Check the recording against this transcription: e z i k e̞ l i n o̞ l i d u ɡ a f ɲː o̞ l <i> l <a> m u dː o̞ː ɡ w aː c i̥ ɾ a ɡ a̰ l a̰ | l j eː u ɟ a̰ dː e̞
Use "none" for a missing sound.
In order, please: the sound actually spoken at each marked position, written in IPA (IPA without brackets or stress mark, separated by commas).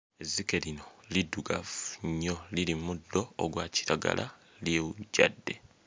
i, i